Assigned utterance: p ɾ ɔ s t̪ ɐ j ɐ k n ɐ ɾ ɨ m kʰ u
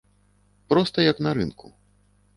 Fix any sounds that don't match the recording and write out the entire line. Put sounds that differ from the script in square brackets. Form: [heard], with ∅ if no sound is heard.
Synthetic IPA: p ɾ ɔ s t̪ ɐ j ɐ k n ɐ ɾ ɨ [n] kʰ u